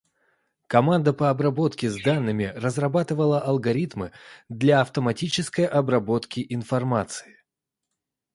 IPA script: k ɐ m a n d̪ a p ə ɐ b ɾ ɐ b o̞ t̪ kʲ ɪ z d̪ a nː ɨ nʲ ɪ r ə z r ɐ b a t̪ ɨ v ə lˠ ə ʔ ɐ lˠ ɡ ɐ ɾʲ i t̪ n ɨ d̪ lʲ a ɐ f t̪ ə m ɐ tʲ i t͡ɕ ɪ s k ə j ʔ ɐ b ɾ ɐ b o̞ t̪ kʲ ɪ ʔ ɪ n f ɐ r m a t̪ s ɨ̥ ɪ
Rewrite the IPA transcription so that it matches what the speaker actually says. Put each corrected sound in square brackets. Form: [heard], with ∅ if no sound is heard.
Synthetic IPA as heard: k ɐ m a n d̪ [ə] p ə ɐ b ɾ ɐ b o̞ t̪ kʲ ɪ z d̪ a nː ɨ [mʲ] ɪ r ə z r ɐ b a t̪ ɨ v ə lˠ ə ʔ ɐ lˠ ɡ ɐ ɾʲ i t̪ [m] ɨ d̪ lʲ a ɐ f t̪ ə m ɐ tʲ i t͡ɕ ɪ s k ə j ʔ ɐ b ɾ ɐ b o̞ t̪ kʲ ɪ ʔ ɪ n f ɐ r m a t̪ s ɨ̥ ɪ